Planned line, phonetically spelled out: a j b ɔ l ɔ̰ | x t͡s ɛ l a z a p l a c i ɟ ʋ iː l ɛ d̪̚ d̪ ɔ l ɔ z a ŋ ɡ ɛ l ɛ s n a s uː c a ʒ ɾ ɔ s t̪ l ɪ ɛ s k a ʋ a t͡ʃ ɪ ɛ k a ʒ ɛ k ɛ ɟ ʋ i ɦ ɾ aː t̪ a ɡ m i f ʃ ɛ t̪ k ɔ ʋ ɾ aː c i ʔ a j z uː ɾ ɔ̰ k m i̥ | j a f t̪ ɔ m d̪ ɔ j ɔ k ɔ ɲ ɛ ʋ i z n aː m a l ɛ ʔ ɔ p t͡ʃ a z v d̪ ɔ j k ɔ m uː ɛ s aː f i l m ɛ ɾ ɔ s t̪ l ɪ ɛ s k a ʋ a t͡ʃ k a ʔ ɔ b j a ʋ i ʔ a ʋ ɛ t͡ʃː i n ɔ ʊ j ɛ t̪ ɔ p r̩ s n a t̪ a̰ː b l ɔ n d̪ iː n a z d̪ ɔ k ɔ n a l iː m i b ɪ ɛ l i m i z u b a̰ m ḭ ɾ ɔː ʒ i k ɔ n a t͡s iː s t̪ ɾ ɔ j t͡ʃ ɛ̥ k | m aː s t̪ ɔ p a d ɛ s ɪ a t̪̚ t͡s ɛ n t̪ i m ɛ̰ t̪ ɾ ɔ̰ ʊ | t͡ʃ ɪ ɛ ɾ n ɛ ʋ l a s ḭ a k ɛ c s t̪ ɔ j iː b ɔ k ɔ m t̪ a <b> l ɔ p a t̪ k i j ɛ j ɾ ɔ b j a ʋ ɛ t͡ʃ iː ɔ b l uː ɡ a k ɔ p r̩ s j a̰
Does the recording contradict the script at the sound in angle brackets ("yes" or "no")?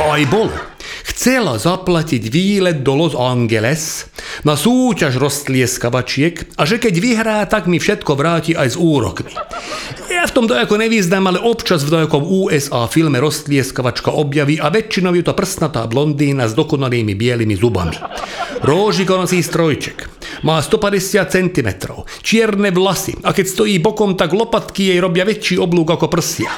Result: yes